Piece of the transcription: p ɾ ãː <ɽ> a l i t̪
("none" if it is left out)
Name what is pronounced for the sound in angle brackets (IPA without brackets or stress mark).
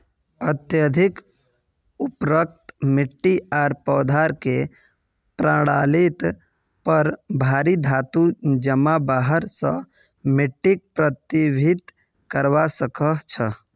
ɽ